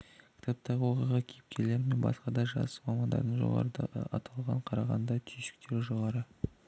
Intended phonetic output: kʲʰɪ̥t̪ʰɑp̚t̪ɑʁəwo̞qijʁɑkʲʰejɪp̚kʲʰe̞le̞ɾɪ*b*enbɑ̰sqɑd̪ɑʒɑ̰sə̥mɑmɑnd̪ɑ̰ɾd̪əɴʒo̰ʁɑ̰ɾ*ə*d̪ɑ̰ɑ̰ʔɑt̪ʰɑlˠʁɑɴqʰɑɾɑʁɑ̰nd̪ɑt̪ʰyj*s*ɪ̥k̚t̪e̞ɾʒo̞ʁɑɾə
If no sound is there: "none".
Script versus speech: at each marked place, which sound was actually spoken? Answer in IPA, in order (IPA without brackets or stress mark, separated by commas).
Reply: m, ə, ʃ